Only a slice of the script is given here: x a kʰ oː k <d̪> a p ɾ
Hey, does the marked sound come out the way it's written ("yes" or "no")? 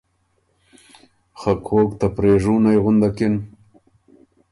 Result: no